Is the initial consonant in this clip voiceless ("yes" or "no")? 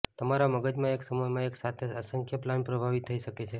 yes